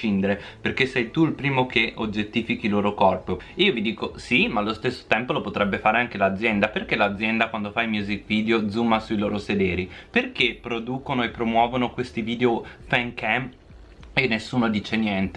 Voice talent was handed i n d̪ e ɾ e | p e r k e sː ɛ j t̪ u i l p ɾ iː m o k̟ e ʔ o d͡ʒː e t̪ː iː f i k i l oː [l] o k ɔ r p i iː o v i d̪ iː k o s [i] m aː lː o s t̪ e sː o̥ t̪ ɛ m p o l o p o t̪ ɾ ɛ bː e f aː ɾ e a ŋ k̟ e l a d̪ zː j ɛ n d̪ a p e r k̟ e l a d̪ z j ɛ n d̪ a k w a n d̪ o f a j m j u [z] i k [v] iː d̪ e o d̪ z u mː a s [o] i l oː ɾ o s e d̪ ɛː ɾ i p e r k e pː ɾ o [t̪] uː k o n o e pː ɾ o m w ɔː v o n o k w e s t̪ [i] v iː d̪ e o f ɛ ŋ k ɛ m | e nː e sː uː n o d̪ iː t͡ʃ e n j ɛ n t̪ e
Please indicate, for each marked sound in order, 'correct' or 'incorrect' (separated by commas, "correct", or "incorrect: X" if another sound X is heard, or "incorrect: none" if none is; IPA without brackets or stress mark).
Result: incorrect: ɾ, correct, correct, correct, incorrect: u, incorrect: d̪, correct